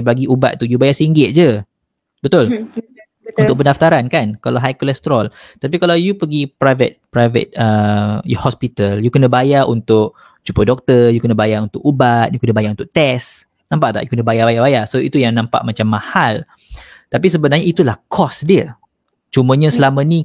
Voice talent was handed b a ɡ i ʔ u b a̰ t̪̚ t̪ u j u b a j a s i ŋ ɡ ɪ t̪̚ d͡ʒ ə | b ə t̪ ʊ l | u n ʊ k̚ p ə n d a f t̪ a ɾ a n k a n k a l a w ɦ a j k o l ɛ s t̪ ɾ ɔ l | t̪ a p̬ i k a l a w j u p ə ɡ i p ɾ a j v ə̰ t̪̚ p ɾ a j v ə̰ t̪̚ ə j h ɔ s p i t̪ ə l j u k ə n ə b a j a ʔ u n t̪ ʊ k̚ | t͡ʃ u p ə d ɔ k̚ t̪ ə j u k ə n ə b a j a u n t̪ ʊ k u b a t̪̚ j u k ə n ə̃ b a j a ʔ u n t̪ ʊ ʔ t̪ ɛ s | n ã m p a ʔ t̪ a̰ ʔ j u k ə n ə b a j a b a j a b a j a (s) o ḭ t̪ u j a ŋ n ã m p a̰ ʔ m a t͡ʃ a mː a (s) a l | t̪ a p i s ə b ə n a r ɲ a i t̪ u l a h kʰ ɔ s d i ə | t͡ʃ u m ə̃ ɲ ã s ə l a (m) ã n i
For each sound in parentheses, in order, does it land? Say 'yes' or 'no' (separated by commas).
yes, no, yes